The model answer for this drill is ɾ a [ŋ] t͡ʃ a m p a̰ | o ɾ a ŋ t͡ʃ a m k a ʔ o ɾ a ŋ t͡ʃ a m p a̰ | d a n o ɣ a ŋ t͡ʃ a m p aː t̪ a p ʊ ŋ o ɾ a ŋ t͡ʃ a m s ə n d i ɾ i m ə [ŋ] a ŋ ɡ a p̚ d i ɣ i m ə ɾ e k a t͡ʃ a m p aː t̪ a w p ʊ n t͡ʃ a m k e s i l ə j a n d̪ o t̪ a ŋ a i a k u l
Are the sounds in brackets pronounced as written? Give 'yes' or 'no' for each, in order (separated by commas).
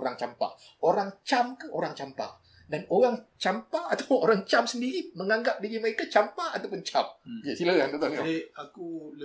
yes, yes